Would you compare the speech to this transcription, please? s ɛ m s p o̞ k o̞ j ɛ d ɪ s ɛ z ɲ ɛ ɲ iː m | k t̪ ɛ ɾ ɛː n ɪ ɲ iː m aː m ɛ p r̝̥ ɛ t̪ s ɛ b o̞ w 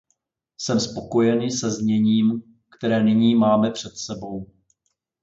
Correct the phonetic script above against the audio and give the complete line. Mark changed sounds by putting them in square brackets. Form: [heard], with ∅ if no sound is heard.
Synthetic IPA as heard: s ɛ m s p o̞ k o̞ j ɛ [n] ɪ s ɛ z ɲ ɛ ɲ iː m | k t̪ ɛ ɾ ɛː n ɪ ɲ iː m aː m ɛ p r̝̥ ɛ t̪ s ɛ b o̞ w

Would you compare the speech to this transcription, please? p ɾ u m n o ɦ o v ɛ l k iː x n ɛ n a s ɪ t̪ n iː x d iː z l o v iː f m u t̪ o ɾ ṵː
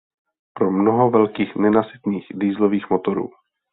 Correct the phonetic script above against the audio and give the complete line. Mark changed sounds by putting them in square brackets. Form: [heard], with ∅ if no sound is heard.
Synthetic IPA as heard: p ɾ [o] m n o ɦ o v ɛ l k iː x n ɛ n a s ɪ t̪ n iː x d iː z l o v iː [x] m [o] t̪ o ɾ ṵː

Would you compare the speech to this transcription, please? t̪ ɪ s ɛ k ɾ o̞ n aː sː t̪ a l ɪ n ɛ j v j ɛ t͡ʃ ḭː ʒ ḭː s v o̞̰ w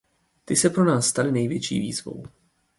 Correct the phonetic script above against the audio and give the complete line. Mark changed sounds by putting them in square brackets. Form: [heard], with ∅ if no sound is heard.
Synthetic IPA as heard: t̪ ɪ s ɛ [p] ɾ o̞ n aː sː t̪ a l ɪ n ɛ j v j ɛ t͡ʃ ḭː [v] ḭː [z] v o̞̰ w

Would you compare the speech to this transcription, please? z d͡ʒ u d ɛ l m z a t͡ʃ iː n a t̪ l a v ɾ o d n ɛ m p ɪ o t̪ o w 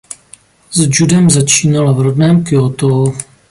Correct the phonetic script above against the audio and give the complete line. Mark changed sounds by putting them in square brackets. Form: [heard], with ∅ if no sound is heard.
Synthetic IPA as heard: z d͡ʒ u d ɛ [∅] m z a t͡ʃ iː n a [∅] l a v ɾ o d n [ɛː] m [k] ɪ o t̪ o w

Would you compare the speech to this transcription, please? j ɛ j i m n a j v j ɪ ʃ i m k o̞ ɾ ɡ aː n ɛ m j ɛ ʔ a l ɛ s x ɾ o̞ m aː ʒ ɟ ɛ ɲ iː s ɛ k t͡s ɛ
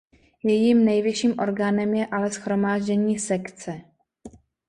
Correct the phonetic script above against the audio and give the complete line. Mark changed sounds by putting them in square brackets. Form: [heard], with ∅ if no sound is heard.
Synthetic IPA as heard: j ɛ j i m n [ɛ] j v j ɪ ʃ [iː] m [ʔ] o̞ ɾ ɡ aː n ɛ m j ɛ ʔ a l ɛ s x ɾ o̞ m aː ʒ ɟ ɛ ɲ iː s ɛ k t͡s ɛ

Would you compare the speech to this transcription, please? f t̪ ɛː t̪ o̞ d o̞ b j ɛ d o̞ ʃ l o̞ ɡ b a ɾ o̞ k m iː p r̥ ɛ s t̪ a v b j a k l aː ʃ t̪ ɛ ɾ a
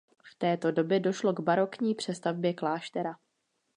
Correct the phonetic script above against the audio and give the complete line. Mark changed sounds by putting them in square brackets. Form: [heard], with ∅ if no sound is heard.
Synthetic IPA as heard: f t̪ ɛː t̪ o̞ d o̞ b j ɛ d o̞ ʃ l o̞ ɡ b a ɾ o̞ k [ɲ] iː p r̥ ɛ s t̪ a v b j [ɛ] k l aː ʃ t̪ ɛ ɾ a

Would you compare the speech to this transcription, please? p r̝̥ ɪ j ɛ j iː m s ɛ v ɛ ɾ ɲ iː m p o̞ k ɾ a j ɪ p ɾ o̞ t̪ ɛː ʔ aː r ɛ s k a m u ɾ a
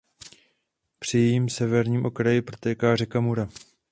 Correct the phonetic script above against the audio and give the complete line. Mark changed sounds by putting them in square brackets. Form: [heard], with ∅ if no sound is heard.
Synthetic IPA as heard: p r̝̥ ɪ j ɛ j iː m s ɛ v ɛ ɾ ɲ iː m [ʔ] o̞ k ɾ a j ɪ p ɾ o̞ t̪ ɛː [k] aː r ɛ [∅] k a m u ɾ a

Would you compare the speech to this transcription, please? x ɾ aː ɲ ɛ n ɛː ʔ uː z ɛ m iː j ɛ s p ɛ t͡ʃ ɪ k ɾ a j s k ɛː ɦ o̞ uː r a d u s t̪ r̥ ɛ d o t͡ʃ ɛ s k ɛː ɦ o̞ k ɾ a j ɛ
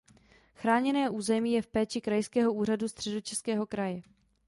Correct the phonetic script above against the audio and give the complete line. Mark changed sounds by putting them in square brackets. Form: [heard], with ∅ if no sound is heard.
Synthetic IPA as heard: x ɾ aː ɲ ɛ n ɛː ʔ uː z ɛ m iː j ɛ [f] p [ɛː] t͡ʃ ɪ k ɾ a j s k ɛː ɦ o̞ uː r a d u s t̪ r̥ ɛ d o t͡ʃ ɛ s k ɛː ɦ o̞ k ɾ a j ɛ

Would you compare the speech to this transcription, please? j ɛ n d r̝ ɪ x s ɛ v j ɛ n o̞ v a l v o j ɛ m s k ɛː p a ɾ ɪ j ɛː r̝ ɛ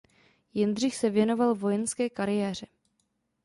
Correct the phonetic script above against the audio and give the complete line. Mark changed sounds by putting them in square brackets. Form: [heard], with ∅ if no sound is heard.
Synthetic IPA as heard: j ɛ n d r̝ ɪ x s ɛ v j ɛ n o̞ v a l v o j ɛ [n] s k ɛː [k] a ɾ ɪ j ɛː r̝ ɛ

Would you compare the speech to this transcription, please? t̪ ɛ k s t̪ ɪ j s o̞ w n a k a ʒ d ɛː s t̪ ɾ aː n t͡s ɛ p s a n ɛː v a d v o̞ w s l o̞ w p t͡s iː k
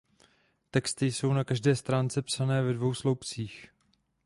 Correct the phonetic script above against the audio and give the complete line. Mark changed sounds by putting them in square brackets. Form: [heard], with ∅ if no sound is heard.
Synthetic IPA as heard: t̪ ɛ k s t̪ ɪ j s o̞ w n a k a ʒ d ɛː s t̪ ɾ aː n t͡s ɛ p s a n ɛː v [ɛ] d v o̞ w s l o̞ w p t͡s iː [x]

